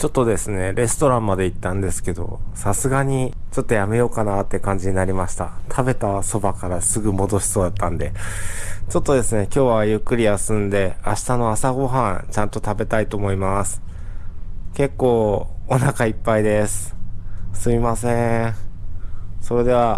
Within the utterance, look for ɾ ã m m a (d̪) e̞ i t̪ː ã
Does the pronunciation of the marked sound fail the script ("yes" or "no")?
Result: no